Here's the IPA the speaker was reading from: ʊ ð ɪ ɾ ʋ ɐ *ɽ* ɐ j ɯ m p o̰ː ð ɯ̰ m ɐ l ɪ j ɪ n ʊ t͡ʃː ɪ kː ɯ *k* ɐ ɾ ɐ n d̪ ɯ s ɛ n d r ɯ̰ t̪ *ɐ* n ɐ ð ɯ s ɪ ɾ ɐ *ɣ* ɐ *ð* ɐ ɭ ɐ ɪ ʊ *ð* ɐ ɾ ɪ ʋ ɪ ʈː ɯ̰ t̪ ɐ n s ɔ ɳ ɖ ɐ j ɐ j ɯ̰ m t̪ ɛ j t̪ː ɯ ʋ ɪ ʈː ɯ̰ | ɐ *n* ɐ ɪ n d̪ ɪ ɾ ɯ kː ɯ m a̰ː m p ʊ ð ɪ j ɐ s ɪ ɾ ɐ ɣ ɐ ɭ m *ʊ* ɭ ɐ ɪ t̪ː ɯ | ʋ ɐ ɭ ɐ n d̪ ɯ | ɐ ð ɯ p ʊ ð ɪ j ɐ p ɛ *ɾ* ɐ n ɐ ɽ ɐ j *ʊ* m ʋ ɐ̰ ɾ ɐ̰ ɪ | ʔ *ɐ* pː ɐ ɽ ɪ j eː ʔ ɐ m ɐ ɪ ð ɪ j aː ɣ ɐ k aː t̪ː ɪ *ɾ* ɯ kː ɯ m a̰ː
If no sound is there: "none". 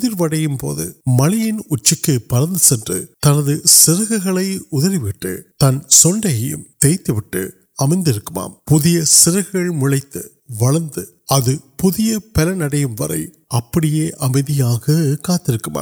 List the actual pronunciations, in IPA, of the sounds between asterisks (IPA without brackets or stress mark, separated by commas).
ɽ, p, ɐ, ɣ, ɣ, ð, m, ʊ, l, ɯ, ɐ, ɾ